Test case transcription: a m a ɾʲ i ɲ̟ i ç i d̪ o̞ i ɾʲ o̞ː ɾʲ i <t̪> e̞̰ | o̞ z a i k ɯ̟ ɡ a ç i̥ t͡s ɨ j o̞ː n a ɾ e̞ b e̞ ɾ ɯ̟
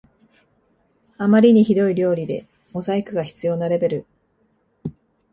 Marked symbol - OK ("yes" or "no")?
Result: no